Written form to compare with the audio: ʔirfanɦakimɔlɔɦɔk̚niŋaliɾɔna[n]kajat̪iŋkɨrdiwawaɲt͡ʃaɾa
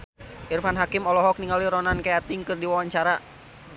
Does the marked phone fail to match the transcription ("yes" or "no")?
no